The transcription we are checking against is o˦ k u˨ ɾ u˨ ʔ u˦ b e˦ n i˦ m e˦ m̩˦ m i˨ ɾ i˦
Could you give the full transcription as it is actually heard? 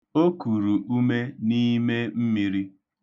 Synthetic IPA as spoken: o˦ k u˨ ɾ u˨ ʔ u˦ m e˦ n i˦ m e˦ m̩˦ m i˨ ɾ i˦